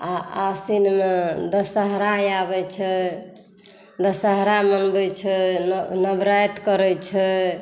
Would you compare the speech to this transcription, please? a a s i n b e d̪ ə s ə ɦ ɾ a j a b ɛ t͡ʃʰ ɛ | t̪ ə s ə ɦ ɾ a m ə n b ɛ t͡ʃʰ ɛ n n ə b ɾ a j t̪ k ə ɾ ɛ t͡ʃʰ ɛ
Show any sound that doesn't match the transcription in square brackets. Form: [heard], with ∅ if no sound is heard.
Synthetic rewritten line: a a s i n [m] e d̪ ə s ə ɦ ɾ a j a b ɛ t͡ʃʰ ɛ | [d̪] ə s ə ɦ ɾ a m ə n b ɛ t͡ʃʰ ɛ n n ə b ɾ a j t̪ k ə ɾ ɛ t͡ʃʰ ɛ

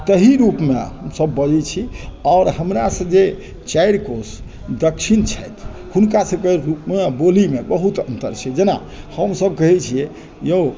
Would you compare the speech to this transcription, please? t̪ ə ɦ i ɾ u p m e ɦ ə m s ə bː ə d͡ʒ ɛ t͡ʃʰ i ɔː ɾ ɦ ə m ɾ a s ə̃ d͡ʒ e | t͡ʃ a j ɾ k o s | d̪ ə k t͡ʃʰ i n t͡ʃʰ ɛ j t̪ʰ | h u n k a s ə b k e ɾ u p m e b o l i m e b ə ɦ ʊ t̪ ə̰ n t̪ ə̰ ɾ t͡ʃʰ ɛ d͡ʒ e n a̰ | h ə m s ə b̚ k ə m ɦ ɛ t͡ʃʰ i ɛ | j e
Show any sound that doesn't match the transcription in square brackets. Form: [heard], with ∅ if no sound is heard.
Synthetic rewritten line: t̪ ə ɦ i ɾ u p m e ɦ ə m s ə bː ə d͡ʒ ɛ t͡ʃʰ i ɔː ɾ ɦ ə m ɾ a s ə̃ d͡ʒ e | t͡ʃ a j ɾ k o s | d̪ ə k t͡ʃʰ i n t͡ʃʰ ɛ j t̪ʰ | h u n k a s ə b k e ɾ u p m e b o l i m e b ə ɦ [u] t̪ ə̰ n t̪ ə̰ ɾ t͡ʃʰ ɛ d͡ʒ e n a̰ | h ə m s ə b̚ k ə [∅] ɦ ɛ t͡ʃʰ i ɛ | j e

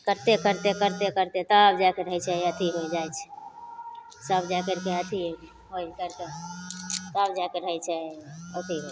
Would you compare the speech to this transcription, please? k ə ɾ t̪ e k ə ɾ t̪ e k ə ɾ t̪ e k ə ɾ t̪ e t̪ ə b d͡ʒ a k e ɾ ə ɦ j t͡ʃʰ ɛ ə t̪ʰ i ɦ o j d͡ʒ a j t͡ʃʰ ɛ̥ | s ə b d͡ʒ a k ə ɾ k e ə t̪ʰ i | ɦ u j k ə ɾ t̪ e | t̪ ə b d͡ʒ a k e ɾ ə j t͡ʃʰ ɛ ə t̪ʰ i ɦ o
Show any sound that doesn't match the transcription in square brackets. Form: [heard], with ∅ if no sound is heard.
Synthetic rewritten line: k ə ɾ t̪ e k ə ɾ t̪ e k ə ɾ t̪ e k ə ɾ t̪ e t̪ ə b d͡ʒ a k e ɾ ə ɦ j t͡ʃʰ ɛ ə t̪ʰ i ɦ o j d͡ʒ a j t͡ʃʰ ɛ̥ | s ə b d͡ʒ a k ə ɾ k e ə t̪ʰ i | ɦ [o] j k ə ɾ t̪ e | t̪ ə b d͡ʒ a k e ɾ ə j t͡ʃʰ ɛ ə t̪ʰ i ɦ o

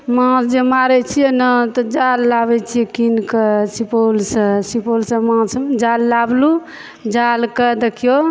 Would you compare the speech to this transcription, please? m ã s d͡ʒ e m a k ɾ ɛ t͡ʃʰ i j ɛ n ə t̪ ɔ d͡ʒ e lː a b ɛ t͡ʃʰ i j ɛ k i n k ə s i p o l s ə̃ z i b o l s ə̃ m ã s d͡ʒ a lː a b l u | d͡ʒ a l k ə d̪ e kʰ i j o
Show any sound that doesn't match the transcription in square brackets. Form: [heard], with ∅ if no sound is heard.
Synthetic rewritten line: m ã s d͡ʒ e m a [∅] ɾ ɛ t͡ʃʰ i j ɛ n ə t̪ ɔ d͡ʒ [a] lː a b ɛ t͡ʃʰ i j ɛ k i n k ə s i p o l s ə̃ [s] i [p] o l s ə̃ m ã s d͡ʒ a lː a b l u | d͡ʒ a l k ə d̪ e kʰ i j o

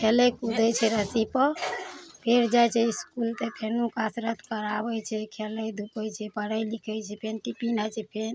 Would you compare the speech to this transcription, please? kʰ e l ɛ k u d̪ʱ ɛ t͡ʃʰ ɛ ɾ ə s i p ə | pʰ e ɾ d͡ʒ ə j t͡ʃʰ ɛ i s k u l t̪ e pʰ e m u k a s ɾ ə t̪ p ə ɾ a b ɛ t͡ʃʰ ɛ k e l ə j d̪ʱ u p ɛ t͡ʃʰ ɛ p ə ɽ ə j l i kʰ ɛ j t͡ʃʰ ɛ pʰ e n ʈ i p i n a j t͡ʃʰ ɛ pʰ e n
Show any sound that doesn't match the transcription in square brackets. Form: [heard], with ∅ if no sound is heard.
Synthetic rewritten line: kʰ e l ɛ k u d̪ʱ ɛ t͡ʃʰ ɛ ɾ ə s i p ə | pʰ e ɾ d͡ʒ [a] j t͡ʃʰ ɛ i s k u l t̪ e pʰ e [n] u k a s ɾ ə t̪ [k] ə ɾ a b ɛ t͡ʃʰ ɛ [kʰ] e l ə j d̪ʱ u p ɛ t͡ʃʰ ɛ p ə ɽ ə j l i kʰ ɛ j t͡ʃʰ ɛ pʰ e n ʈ i p i n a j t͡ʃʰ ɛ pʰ e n

